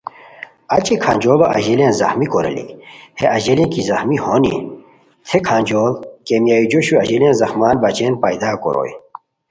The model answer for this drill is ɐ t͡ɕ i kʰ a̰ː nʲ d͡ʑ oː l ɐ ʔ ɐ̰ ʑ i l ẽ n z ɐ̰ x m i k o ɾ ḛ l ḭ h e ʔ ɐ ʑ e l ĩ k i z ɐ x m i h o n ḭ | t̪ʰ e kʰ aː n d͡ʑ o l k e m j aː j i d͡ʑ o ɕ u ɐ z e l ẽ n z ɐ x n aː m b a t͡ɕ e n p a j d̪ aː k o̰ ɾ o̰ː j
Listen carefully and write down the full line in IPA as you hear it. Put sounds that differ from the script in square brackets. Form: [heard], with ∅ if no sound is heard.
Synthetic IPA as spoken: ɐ t͡ɕ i kʰ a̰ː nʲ d͡ʑ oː l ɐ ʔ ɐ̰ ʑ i l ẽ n z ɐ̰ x m i k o ɾ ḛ l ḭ h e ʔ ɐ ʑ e l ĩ k i z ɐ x m i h o n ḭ | t̪ʰ e kʰ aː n d͡ʑ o l k e m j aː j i d͡ʑ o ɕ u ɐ [ʑ] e l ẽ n z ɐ x [m] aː [n] b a t͡ɕ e n p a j d̪ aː k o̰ ɾ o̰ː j